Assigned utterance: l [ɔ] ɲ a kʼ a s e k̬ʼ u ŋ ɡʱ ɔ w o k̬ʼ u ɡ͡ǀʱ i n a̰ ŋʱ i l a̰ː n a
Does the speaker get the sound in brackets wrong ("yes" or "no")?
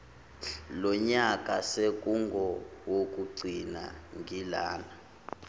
no